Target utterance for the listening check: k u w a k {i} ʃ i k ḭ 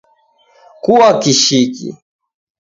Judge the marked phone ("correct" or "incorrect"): correct